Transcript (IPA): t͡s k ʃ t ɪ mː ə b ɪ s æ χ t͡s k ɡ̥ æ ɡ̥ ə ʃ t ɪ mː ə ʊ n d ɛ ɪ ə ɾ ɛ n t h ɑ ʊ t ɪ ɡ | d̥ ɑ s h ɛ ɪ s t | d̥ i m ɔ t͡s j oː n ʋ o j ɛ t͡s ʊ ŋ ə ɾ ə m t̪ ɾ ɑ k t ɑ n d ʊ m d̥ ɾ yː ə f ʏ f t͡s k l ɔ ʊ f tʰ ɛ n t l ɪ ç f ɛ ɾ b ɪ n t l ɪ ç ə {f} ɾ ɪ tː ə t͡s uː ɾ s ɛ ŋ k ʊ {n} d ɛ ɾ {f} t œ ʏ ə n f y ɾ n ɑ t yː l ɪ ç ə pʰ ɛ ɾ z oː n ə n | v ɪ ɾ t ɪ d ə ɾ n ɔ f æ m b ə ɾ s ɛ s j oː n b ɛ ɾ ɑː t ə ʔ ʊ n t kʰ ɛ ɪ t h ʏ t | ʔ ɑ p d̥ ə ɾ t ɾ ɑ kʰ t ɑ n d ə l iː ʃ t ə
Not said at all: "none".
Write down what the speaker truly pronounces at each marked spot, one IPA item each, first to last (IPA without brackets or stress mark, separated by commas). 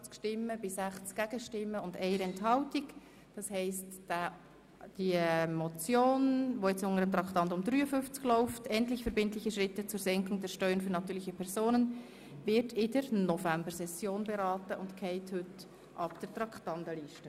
ʃ, ŋ, ʃ